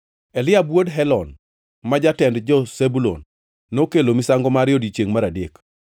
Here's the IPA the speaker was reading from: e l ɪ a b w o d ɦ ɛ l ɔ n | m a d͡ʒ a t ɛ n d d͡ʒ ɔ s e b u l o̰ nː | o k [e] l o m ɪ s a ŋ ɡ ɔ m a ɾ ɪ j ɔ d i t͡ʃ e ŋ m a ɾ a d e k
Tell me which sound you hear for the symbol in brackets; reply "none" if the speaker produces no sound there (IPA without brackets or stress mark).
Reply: e